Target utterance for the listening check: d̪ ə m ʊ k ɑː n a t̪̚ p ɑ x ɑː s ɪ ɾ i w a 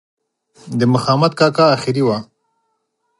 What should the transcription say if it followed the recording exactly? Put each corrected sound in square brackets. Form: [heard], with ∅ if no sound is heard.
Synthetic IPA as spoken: d̪ ə m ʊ [x] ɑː [m] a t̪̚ [k] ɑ [k] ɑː [x] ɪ ɾ i w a